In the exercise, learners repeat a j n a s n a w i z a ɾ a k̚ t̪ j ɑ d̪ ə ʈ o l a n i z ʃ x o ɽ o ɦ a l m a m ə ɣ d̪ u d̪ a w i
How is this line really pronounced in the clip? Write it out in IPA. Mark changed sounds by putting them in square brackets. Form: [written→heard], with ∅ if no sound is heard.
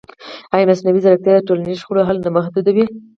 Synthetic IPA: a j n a s n a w i z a ɾ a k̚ t̪ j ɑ d̪ ə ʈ o l a n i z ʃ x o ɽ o ɦ a l [m→n] a m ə [ɣ→x] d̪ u d̪ a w i